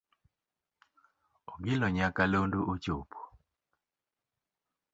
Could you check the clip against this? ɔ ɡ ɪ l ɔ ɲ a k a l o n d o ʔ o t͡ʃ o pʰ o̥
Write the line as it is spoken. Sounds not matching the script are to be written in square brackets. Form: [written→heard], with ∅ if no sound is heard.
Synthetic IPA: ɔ ɡ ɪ l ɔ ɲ a k a l o n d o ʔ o t͡ʃ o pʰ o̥